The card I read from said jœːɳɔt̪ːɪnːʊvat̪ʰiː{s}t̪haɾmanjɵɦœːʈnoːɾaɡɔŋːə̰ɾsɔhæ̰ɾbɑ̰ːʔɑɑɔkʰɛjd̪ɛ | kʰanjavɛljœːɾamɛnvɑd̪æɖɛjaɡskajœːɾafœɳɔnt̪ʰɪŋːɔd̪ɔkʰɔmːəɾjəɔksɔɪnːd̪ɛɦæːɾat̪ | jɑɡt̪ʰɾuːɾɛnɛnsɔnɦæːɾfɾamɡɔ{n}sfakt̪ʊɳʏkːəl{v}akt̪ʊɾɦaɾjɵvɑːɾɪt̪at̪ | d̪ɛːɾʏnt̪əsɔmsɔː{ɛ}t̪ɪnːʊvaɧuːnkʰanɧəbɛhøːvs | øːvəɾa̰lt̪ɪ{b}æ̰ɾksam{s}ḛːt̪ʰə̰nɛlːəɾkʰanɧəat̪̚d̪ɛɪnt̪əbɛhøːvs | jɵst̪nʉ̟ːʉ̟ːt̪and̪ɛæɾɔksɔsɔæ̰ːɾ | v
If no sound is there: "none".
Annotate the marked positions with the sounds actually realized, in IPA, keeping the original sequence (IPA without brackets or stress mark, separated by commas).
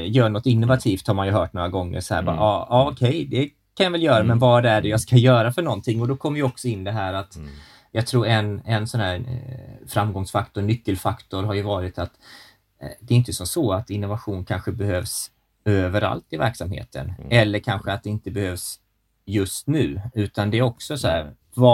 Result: f, ŋ, f, a, v, h